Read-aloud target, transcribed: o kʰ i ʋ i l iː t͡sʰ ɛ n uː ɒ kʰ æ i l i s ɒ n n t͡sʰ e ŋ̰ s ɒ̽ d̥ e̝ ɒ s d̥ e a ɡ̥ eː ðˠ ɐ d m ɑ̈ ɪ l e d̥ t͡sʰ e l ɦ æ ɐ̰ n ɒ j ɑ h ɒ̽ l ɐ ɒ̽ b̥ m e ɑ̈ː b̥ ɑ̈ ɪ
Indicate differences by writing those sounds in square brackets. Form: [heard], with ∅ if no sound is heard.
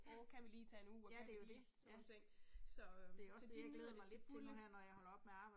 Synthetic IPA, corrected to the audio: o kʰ [æ] ʋ i l iː t͡sʰ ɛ n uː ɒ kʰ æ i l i s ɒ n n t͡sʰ e ŋ̰ s ɒ̽ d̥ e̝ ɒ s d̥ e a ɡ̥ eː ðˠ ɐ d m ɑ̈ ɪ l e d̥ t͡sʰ e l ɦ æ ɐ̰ n ɒ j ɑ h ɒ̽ l ɐ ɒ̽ b̥ m e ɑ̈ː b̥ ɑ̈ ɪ